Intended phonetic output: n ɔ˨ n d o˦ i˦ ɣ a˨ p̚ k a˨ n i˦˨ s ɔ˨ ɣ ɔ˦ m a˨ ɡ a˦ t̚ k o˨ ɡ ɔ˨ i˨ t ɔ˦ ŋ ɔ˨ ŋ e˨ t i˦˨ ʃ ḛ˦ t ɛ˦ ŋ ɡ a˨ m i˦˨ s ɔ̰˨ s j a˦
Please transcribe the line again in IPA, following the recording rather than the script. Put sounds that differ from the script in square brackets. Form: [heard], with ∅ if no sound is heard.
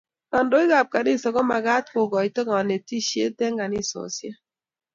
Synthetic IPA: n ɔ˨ n d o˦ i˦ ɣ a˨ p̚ k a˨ n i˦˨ s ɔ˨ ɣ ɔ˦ m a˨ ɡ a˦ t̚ k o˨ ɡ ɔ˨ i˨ t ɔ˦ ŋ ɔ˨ [n] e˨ t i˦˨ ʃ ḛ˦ t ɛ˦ ŋ ɡ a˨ [n] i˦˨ s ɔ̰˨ s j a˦